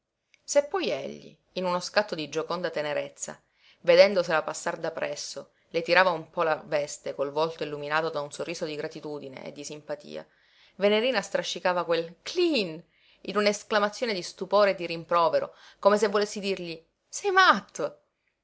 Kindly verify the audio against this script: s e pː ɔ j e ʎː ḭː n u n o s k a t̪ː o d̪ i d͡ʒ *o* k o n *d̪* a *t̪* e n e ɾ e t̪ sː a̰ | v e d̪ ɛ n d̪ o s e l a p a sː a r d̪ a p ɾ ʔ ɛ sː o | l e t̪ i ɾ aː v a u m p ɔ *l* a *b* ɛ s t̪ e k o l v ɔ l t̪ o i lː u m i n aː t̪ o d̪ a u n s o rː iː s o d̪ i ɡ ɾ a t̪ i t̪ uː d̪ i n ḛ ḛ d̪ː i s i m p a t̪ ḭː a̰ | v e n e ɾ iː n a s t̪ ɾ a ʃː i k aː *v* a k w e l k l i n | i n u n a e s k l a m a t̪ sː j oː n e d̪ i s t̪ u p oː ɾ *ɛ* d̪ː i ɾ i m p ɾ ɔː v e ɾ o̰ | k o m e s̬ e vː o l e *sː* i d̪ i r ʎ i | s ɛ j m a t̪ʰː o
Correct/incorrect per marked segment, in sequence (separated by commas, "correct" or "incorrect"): correct, correct, correct, correct, incorrect, correct, incorrect, correct